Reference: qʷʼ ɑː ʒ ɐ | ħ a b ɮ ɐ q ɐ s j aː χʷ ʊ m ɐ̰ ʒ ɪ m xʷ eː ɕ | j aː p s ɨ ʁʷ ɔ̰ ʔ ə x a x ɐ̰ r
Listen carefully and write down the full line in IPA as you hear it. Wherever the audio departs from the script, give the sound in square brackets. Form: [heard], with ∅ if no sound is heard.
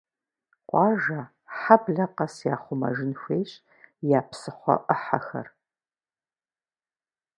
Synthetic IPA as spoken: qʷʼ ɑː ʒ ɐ | ħ a b ɮ ɐ q ɐ s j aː χʷ ʊ m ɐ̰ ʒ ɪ [n] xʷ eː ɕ | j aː p s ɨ [χʷ] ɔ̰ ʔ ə [ħ] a x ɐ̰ r